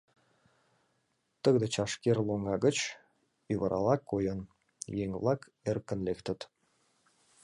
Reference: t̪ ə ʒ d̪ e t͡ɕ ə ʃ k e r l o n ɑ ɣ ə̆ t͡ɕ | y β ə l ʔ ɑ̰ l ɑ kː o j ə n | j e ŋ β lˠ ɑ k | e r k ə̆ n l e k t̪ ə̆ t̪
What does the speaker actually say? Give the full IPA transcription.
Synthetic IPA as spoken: t̪ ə ɣ d̪ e t͡ɕ ɑ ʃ k e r l o ŋ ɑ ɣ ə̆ t͡ɕ | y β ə ɾ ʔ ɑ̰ l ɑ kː o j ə n | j e ŋ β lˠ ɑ k | e r k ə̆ n l e k t̪ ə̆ t̪